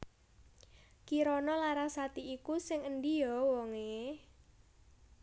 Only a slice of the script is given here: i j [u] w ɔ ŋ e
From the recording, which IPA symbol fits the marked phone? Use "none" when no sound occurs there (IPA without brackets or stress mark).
ɔ